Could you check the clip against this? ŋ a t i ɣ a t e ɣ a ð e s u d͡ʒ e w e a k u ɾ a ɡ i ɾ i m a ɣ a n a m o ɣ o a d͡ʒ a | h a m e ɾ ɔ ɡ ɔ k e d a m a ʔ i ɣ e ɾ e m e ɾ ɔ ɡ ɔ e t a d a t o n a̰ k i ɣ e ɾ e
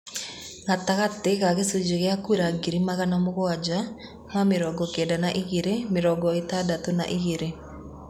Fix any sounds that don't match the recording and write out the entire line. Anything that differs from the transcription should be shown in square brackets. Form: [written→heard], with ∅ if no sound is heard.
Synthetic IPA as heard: ŋ a t [i→a] ɣ a t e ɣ a [ð→ɣ] e s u d͡ʒ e [w→ɣ] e a k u ɾ a ɡ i ɾ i m a ɣ a n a m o ɣ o a d͡ʒ a | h a m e ɾ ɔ ɡ ɔ k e d a [m→n] a ʔ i ɣ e ɾ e m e ɾ ɔ ɡ ɔ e t a d a t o n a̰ [k→ʔ] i ɣ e ɾ e